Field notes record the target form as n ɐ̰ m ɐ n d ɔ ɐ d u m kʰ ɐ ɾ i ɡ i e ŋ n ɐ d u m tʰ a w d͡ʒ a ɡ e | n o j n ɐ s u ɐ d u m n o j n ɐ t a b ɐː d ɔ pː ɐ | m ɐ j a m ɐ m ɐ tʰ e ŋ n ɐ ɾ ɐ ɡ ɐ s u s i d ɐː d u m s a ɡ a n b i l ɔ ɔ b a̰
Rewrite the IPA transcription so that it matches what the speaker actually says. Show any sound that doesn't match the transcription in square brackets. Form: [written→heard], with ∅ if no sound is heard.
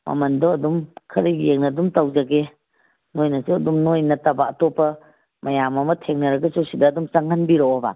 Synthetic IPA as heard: [n→m] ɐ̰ m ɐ n d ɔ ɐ d u m kʰ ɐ ɾ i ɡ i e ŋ n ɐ d u m [tʰ→t] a w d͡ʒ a ɡ e | n o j n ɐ s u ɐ d u m n o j n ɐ t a b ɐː [d→t] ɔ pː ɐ | m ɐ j a m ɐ m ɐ tʰ e ŋ n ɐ ɾ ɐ ɡ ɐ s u s i d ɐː d u m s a [ɡ→ŋ] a n b i [l→ɾ] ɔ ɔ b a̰